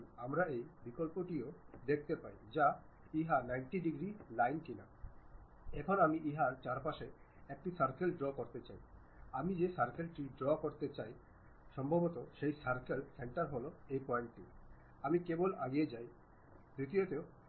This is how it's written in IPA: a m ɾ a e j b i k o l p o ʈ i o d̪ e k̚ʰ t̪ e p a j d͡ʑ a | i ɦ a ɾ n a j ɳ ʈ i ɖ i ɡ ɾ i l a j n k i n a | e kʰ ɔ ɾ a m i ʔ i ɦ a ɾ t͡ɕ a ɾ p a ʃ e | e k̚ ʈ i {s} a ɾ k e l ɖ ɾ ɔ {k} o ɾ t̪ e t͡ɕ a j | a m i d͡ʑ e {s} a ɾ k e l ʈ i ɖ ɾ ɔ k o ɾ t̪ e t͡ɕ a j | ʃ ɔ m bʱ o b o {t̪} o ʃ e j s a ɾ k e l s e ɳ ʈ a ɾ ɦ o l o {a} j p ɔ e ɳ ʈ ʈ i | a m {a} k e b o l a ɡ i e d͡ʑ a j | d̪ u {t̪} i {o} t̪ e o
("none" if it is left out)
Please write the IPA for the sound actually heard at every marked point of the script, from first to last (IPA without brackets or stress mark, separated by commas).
s, k, s, t̪, e, i, t̪, o